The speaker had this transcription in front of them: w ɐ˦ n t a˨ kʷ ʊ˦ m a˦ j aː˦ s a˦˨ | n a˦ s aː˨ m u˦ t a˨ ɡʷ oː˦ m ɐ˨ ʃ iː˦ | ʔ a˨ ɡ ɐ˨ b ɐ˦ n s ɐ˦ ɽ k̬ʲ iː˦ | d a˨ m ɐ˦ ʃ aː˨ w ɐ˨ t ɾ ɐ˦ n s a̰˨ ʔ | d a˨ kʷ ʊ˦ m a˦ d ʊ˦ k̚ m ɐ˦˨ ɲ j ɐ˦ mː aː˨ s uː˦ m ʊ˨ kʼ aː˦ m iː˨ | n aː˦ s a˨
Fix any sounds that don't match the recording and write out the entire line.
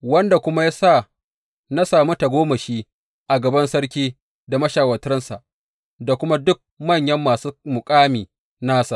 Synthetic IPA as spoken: w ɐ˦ n d a˨ kʷ ʊ˦ m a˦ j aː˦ s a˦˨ | n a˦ s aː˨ m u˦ t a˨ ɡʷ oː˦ m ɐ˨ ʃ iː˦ | ʔ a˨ ɡ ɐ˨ b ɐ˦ n s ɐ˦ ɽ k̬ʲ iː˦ | d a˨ m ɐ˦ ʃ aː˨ w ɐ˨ t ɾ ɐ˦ n s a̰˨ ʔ | d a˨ kʷ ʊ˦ m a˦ d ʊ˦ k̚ m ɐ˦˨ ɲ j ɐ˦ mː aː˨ s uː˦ m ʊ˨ kʼ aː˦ m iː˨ | n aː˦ s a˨